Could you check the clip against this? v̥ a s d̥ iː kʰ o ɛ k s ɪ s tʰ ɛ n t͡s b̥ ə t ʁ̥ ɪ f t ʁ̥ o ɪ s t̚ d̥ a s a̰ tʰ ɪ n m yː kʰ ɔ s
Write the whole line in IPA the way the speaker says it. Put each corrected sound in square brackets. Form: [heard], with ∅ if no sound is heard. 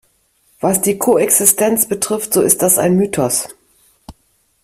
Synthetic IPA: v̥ a s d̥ iː kʰ o ɛ k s ɪ s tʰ ɛ n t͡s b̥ ə t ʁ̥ ɪ f t [z̥] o ɪ s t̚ d̥ a s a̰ [∅] ɪ n m yː [tʰ] ɔ s